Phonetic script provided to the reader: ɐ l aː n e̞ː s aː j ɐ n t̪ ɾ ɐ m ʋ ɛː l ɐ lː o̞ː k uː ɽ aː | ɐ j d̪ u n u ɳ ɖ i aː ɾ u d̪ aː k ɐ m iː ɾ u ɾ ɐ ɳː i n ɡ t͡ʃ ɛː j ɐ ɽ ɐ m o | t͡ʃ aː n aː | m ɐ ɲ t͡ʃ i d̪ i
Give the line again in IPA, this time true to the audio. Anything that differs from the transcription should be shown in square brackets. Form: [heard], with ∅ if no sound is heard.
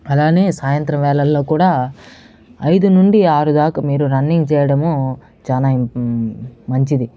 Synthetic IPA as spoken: ɐ l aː n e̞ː s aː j ɐ n t̪ ɾ ɐ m ʋ ɛː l ɐ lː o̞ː k uː ɽ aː | ɐ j d̪ u n u ɳ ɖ i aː ɾ u d̪ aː k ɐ m iː ɾ u ɾ ɐ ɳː i [ŋ] ɡ t͡ʃ ɛː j ɐ ɽ ɐ m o | t͡ʃ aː n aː | m ɐ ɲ t͡ʃ i d̪ i